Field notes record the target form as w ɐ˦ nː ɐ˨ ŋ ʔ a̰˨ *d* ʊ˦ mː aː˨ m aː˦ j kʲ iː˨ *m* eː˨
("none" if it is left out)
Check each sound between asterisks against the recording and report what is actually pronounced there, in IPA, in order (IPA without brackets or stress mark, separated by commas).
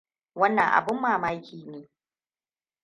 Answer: b, n